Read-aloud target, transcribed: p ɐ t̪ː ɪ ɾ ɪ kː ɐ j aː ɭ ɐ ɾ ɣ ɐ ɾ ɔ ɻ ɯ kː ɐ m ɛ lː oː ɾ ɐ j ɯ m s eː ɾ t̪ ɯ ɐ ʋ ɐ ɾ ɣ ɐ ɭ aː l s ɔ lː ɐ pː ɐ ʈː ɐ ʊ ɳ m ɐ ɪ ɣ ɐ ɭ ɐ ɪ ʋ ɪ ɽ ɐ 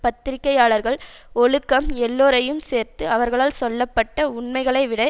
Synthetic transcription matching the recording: p ɐ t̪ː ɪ ɾ ɪ kː ɐ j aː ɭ ɐ ɾ ɣ ɐ ɭ ɔ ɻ ɯ kː ɐ m ɛ lː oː ɾ ɐ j ɯ m s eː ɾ t̪ ɯ ɐ ʋ ɐ ɾ ɣ ɐ ɭ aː l s ɔ lː ɐ pː ɐ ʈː ɐ ʊ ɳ m ɐ ɪ ɣ ɐ ɭ ɐ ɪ ʋ ɪ ɽ ɐ